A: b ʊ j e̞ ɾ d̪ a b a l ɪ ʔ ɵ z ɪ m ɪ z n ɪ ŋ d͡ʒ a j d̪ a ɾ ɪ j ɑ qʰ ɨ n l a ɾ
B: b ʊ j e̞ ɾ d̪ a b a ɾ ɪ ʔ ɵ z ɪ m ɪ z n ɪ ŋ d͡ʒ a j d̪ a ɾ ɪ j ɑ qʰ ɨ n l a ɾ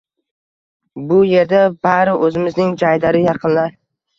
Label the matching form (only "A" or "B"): B